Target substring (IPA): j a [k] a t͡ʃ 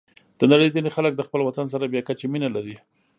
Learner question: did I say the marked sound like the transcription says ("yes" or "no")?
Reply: yes